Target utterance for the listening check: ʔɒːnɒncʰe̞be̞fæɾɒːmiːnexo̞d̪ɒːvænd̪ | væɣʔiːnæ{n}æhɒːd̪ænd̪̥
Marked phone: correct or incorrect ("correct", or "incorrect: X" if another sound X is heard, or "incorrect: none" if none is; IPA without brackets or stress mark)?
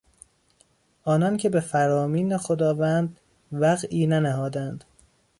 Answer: correct